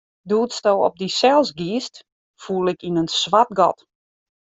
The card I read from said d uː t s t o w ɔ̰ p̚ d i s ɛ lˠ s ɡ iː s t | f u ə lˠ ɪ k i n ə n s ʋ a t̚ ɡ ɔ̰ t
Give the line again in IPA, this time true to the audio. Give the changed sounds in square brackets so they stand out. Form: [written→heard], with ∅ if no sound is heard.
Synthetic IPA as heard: d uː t s t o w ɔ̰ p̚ d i s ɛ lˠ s ɡ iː s t | f u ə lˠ ɪ k i n ə n s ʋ a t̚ ɡ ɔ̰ t